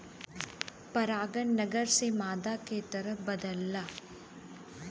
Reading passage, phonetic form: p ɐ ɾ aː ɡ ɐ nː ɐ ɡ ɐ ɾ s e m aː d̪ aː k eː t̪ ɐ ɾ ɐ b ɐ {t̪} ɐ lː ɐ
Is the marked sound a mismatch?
yes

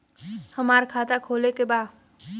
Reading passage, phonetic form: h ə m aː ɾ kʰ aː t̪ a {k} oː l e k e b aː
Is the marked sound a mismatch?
yes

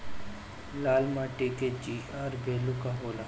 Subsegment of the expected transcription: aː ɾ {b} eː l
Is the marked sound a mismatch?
no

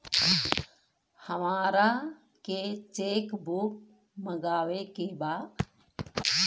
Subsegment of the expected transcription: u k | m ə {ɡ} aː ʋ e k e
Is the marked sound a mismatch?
no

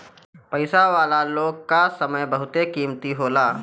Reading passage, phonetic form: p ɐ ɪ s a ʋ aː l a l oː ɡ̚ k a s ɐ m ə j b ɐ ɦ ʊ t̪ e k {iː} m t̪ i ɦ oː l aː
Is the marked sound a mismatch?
no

